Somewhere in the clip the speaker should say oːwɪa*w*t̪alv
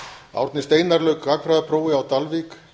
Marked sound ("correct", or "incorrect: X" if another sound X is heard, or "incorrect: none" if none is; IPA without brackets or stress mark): correct